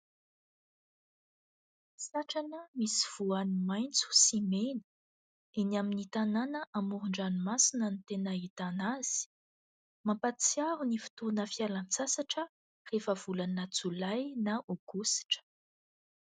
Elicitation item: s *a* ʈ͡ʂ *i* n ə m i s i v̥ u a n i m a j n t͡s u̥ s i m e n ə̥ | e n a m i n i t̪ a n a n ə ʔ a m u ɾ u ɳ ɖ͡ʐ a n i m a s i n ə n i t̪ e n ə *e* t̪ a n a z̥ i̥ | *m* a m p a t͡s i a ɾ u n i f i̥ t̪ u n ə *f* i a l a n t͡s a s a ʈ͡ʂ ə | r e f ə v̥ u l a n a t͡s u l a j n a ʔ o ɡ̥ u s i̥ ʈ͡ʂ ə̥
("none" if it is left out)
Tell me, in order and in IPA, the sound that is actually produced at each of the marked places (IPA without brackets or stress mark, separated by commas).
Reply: a, a, i, m, f